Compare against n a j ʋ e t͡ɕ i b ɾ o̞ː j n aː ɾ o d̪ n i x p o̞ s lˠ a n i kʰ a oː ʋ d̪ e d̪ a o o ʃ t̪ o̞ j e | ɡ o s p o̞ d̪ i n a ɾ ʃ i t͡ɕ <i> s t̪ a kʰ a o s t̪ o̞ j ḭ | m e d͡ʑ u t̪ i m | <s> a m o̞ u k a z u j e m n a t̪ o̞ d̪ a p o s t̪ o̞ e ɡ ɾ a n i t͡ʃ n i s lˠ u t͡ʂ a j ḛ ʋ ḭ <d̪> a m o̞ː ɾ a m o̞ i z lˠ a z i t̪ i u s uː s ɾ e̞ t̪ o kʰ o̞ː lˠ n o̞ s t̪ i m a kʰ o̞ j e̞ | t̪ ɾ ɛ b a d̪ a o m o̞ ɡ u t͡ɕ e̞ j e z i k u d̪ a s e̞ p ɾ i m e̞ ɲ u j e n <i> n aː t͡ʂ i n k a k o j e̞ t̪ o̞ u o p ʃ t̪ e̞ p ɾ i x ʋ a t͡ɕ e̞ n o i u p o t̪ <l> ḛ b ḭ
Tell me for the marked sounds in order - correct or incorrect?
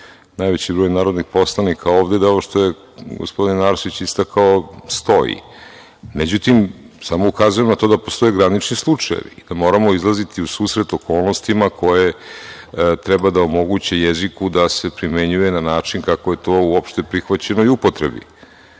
correct, correct, correct, incorrect: a, incorrect: ɾ

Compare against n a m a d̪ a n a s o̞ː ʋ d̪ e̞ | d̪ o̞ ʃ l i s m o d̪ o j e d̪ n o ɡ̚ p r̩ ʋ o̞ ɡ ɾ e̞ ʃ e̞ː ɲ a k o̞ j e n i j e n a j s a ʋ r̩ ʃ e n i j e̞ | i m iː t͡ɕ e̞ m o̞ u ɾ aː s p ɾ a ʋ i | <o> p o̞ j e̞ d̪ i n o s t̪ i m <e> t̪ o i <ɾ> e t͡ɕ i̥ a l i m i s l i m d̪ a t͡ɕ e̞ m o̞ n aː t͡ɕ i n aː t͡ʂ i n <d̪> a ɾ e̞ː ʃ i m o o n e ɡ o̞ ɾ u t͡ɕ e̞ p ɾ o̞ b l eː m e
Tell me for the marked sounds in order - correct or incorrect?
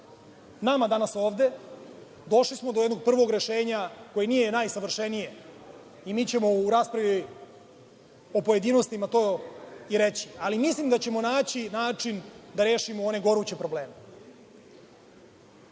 correct, incorrect: a, correct, correct

